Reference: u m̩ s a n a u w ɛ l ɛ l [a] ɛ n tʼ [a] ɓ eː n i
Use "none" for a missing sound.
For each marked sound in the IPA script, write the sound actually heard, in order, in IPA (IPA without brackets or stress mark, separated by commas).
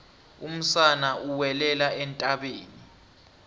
a, a